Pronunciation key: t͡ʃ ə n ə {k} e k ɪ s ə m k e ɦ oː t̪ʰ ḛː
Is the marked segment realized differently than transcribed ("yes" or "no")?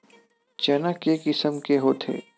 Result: no